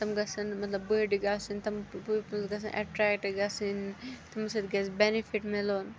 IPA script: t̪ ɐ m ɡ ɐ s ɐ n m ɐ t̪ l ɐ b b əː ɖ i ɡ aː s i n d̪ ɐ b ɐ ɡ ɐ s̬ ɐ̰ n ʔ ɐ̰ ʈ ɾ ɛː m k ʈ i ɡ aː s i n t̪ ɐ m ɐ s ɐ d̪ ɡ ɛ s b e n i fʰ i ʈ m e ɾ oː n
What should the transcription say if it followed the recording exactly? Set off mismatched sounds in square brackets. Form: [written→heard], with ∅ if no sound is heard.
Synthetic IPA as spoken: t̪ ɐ m ɡ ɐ s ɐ n m ɐ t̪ l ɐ b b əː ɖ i ɡ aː s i n [d̪→t̪] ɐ [b→m] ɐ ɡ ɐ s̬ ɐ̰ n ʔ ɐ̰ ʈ ɾ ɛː [m→∅] k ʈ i ɡ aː s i n t̪ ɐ m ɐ s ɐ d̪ ɡ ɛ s b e n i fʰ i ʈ m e [ɾ→l] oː n